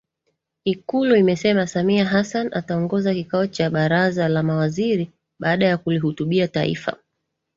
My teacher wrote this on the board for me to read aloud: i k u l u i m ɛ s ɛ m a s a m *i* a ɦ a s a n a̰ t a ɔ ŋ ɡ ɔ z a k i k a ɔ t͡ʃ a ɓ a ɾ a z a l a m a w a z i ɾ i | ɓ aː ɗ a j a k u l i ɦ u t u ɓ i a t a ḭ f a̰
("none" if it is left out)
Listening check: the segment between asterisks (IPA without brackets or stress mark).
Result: i